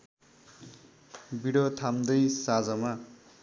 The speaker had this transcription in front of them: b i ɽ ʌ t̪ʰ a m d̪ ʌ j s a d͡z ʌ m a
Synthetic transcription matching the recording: b i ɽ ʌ t̪ʰ a m d̪ ʌ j s a d͡z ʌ m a